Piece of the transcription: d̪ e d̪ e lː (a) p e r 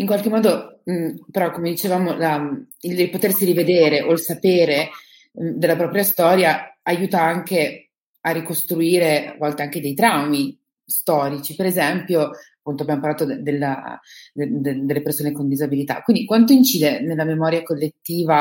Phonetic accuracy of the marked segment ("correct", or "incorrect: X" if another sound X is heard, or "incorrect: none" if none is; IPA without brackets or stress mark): incorrect: e